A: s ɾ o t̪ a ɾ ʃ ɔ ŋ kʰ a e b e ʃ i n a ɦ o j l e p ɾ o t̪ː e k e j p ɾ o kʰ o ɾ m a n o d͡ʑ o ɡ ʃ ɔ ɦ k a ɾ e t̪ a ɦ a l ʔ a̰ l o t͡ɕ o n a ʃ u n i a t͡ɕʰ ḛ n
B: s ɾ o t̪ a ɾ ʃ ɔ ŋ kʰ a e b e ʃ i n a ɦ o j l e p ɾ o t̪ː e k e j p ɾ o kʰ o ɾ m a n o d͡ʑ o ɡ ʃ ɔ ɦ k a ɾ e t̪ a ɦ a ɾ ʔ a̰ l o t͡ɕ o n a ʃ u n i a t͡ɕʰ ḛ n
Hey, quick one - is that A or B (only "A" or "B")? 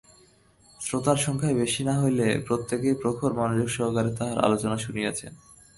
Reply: B